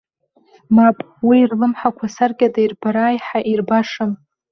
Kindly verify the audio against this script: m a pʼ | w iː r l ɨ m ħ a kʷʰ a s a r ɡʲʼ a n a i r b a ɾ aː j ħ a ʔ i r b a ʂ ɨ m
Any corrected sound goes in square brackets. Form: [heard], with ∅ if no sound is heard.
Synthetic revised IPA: m a pʼ | w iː r l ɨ m ħ a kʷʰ a s a r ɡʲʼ a [d] a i r b a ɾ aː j ħ a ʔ i r b a ʂ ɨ m